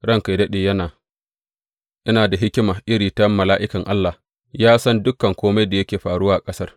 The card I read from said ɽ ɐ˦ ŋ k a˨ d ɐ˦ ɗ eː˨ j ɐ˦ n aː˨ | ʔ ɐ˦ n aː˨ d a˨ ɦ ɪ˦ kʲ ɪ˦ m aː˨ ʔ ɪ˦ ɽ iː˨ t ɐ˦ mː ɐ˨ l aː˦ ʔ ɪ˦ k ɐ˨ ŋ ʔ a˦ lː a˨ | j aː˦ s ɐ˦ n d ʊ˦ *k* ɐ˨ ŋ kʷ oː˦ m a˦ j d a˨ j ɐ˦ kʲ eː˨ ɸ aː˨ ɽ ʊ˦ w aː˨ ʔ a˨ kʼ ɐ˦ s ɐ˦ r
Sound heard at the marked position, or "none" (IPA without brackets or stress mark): k